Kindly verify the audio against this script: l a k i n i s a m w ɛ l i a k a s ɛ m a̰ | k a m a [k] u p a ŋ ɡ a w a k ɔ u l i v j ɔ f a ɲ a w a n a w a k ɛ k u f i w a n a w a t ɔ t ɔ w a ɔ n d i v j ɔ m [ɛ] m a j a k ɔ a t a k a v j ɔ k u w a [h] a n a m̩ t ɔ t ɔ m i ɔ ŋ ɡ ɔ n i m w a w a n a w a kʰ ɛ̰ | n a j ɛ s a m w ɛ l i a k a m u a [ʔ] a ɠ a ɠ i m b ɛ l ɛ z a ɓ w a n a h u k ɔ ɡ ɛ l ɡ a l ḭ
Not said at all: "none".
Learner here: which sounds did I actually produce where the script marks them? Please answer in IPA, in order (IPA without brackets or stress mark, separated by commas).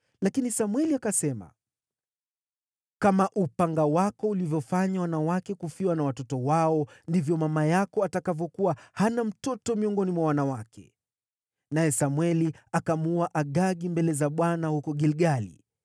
ʔ, a, h, ʔ